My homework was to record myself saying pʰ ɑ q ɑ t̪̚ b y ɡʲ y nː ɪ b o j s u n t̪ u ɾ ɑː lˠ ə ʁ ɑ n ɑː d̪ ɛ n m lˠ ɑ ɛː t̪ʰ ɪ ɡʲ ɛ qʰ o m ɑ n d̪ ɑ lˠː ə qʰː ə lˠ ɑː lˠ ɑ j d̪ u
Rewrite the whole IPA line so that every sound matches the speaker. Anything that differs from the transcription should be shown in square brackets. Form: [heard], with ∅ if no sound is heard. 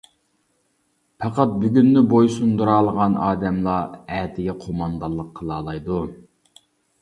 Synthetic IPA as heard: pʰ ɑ q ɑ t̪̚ b y ɡʲ y nː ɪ b o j s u n [d̪] u ɾ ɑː lˠ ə ʁ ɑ n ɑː d̪ ɛ [∅] m lˠ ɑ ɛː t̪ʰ ɪ ɡʲ ɛ qʰ o m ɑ n d̪ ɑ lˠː ə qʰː ə lˠ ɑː lˠ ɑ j d̪ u